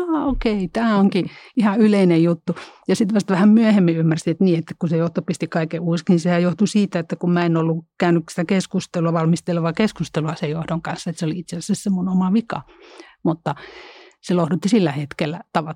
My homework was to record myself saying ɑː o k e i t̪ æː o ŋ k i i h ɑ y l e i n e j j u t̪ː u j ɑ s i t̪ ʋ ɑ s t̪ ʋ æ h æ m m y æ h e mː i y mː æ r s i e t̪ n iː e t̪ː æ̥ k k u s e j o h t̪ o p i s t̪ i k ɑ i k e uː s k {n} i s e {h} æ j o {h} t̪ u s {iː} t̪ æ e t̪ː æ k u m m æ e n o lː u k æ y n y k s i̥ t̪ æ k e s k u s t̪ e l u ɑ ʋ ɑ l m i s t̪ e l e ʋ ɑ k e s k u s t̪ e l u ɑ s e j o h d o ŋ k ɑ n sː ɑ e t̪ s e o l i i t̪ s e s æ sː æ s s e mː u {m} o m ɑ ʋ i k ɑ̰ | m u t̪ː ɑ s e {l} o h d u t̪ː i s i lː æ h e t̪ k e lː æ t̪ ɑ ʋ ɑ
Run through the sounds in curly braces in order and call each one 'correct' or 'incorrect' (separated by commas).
correct, correct, correct, correct, incorrect, correct